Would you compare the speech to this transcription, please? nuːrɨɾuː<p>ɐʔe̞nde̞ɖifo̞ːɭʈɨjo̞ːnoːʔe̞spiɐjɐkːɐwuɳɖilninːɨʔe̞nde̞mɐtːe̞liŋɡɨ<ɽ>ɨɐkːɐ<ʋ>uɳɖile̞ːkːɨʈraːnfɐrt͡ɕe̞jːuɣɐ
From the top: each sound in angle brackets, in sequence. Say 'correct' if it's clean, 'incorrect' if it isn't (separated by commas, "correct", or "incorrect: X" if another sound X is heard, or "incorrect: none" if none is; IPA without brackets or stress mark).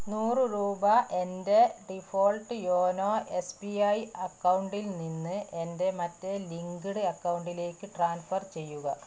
incorrect: b, correct, incorrect: w